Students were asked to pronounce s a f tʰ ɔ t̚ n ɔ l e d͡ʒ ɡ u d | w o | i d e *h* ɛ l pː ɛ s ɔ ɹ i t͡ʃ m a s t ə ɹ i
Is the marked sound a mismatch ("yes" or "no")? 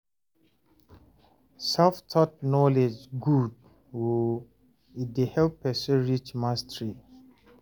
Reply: no